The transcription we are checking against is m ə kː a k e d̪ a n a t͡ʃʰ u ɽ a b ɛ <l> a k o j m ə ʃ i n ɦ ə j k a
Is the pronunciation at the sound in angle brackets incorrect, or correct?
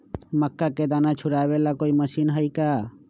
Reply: correct